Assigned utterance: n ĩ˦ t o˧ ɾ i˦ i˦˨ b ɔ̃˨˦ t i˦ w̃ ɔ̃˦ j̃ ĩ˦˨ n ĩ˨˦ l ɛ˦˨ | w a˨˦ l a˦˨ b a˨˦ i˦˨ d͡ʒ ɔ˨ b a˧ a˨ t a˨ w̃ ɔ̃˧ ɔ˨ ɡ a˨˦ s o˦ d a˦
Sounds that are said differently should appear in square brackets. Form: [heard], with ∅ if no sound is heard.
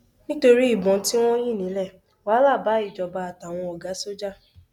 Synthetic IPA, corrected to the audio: n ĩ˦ t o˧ ɾ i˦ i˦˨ b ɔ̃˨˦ t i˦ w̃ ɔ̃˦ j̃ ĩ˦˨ n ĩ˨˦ l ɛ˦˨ | w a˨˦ l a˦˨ b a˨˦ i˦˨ d͡ʒ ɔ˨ b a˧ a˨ t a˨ w̃ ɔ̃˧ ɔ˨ ɡ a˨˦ s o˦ [d͡ʒ] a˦